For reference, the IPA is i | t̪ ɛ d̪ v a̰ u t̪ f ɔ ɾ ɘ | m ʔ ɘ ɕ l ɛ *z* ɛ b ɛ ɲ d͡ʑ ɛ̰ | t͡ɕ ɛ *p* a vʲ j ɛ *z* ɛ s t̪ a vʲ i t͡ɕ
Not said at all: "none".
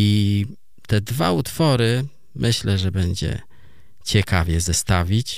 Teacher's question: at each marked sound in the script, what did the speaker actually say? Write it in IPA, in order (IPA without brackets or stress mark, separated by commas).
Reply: ʐ, k, z